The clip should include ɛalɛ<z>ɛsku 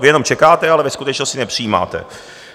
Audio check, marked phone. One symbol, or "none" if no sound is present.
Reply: v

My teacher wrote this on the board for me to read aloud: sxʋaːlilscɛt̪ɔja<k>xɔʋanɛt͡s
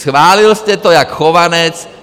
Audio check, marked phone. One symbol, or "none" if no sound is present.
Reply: k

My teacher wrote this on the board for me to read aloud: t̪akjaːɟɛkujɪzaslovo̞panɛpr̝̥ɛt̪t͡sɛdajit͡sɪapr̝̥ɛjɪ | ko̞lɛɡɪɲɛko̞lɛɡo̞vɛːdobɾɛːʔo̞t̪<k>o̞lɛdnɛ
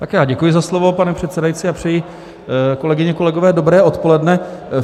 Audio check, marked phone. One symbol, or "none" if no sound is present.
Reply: p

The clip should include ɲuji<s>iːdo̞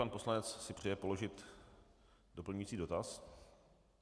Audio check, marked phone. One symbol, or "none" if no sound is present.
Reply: t͡s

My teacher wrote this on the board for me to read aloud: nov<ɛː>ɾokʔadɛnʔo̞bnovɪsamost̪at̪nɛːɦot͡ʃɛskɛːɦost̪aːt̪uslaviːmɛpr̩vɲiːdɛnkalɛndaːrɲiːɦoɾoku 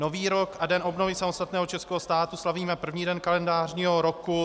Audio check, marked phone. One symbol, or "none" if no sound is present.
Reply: iː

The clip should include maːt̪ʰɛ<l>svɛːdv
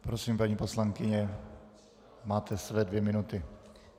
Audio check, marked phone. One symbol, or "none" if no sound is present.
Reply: none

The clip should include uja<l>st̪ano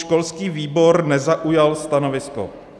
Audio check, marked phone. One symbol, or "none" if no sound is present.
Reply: l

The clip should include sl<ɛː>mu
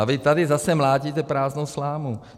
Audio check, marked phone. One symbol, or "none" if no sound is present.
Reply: aː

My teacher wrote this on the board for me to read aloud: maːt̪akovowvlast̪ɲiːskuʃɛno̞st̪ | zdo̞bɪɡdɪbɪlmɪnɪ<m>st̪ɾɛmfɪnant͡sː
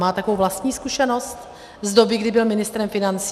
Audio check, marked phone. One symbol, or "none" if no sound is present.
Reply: none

